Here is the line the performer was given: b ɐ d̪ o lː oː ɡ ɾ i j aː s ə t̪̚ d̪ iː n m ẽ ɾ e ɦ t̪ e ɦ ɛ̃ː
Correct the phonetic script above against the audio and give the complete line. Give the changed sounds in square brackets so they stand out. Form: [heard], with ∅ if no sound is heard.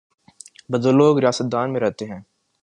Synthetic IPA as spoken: b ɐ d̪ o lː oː ɡ ɾ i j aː s ə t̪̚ d̪ [aː] n m ẽ ɾ [ɛ] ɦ t̪ e ɦ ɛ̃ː